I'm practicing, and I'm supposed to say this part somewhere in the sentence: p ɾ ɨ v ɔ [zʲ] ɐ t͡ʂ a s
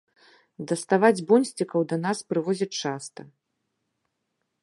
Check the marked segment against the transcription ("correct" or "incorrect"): correct